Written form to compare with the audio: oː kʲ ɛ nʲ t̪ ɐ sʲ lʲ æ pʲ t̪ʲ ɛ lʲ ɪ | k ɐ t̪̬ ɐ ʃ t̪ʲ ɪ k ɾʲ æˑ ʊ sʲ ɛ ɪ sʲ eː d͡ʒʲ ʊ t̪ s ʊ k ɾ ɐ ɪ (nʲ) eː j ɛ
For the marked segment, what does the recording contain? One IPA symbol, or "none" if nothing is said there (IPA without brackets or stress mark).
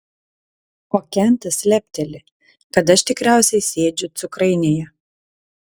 nʲ